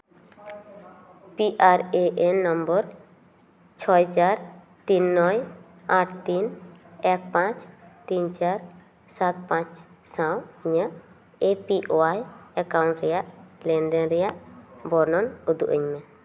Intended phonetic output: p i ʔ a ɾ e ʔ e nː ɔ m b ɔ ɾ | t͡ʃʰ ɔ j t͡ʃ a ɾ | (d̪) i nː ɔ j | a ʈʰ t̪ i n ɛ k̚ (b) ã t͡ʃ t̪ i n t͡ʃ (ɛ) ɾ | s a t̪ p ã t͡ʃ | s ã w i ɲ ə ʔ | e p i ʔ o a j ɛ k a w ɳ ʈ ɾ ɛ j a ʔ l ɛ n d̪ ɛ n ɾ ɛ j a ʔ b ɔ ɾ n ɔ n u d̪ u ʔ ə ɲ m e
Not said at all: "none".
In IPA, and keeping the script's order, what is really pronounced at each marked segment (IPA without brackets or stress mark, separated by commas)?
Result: t̪, p, a